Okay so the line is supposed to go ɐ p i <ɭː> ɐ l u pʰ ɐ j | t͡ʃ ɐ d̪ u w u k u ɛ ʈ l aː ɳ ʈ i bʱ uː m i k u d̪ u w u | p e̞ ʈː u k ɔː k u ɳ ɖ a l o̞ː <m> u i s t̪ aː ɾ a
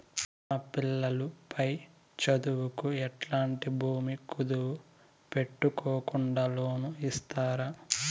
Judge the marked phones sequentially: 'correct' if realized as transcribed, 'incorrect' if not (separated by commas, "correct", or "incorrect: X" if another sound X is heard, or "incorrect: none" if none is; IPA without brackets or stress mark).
incorrect: lː, incorrect: n